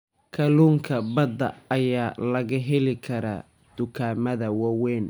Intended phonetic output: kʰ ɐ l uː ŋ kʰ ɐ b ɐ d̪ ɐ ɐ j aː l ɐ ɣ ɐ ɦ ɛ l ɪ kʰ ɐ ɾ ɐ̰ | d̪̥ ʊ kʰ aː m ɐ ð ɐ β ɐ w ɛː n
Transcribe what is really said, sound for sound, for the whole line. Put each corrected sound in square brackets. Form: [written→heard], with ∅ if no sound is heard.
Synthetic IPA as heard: kʰ ɐ l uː ŋ kʰ ɐ b ɐ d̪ ɐ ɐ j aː l ɐ ɣ ɐ ɦ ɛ l ɪ kʰ ɐ ɾ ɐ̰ | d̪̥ ʊ kʰ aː m ɐ ð ɐ [β→w] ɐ w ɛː n